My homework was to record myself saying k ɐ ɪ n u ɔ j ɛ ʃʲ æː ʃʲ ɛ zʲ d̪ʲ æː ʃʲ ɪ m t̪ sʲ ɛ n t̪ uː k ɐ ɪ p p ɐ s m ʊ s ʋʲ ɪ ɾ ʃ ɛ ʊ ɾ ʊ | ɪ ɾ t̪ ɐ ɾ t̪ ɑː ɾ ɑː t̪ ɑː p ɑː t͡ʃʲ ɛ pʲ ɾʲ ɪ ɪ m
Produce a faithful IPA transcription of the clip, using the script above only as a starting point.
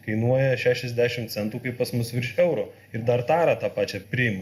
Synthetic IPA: k ɐ ɪ n u ɔ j ɛ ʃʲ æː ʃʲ ɛ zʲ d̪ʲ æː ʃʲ ɪ m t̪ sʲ ɛ n t̪ uː k ɐ ɪ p p ɐ s m ʊ s ʋʲ ɪ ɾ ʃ ɛ ʊ ɾ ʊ | ɪ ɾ d̪ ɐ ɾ t̪ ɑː ɾ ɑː t̪ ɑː p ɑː t͡ʃʲ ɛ pʲ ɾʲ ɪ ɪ m